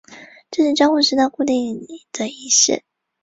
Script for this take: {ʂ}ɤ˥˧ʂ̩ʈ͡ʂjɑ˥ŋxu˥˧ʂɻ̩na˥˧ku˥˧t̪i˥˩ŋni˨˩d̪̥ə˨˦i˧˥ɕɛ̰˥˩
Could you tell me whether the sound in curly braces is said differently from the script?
yes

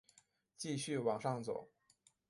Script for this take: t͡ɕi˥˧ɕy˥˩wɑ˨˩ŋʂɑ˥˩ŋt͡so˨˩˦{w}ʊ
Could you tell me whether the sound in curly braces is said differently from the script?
yes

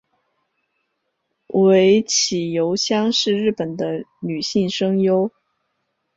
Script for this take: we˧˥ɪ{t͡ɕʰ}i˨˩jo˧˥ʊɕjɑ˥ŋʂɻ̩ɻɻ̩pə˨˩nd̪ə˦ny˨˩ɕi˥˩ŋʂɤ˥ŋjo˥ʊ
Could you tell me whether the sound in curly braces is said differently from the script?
no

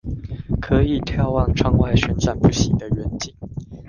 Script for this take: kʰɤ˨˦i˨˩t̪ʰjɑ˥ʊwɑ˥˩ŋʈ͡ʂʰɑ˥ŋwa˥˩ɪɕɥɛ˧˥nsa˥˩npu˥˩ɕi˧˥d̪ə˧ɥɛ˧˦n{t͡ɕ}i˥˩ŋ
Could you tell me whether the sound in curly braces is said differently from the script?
no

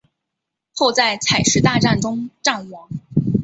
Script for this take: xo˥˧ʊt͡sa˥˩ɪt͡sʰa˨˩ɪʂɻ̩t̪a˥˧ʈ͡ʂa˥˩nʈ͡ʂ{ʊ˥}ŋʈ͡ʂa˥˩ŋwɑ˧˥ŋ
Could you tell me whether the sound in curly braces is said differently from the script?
no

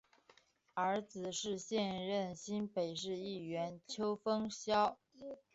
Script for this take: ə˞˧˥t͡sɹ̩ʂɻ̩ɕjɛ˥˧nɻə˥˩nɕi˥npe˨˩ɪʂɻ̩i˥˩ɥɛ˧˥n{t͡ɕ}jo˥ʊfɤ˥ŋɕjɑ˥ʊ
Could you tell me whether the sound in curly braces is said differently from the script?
yes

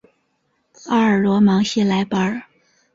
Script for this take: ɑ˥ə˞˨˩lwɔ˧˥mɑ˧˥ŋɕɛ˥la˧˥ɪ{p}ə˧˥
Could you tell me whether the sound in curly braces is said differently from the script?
no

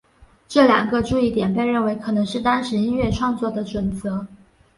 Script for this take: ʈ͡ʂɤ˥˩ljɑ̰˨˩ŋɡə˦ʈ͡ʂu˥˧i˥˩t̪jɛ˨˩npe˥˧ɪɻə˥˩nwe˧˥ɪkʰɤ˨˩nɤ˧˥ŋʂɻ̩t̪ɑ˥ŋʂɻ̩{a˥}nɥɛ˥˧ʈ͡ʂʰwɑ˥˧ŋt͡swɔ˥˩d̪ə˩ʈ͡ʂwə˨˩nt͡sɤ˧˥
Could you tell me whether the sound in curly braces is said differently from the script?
yes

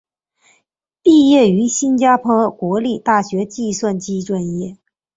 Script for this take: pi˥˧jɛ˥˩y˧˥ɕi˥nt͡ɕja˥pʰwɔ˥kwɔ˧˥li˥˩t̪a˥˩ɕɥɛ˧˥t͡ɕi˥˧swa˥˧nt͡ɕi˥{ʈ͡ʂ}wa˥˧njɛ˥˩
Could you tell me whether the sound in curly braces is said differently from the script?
no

